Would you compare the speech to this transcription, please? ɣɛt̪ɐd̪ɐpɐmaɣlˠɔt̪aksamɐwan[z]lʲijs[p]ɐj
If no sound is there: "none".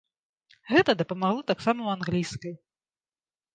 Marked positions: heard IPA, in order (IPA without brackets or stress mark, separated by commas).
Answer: ɣ, k